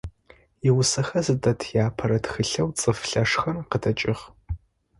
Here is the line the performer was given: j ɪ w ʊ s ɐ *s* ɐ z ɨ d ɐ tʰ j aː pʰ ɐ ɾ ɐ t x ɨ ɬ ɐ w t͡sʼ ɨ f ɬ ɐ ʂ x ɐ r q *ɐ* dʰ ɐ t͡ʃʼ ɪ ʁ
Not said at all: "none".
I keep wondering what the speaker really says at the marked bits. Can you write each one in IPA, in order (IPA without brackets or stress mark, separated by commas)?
x, ə